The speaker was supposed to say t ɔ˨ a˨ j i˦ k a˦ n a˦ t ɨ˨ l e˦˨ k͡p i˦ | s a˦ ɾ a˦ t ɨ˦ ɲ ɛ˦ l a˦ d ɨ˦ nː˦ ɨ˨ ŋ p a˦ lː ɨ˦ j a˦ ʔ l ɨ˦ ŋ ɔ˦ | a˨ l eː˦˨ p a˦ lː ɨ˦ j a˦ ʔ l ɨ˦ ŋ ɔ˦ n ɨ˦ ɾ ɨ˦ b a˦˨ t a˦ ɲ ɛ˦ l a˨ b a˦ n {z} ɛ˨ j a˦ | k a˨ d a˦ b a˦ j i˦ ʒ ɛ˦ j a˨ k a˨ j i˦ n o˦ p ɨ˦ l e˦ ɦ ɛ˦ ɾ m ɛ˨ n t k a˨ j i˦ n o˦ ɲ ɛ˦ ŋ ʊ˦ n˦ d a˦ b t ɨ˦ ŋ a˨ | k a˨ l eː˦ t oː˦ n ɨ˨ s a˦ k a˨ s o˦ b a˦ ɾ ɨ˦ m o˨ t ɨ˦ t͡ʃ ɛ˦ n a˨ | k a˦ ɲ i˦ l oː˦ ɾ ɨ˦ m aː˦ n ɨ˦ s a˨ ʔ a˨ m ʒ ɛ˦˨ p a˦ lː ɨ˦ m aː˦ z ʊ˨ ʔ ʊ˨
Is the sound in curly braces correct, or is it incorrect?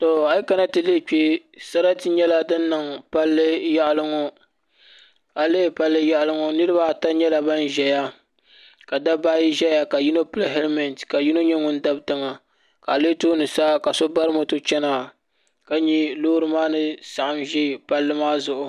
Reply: incorrect